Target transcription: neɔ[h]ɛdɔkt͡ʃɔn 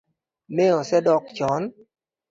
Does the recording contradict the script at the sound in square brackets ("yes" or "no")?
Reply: yes